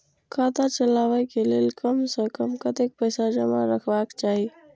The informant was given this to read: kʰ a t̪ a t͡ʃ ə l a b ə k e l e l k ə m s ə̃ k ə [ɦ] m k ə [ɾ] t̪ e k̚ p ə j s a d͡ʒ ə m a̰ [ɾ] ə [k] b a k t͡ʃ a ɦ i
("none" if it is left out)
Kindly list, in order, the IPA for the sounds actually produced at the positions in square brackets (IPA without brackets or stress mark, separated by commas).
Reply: none, none, ɾ, kʰ